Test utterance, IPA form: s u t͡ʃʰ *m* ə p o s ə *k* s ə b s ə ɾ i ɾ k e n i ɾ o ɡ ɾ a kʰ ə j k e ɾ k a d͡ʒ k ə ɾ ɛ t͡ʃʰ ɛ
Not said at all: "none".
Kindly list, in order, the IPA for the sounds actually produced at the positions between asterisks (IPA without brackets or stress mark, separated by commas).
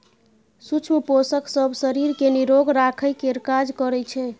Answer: m, k